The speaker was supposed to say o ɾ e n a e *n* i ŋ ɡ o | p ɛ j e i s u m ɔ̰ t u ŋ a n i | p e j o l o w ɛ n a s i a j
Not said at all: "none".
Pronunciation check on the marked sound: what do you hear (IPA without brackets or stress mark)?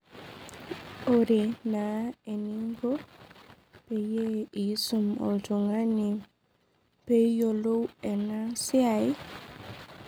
n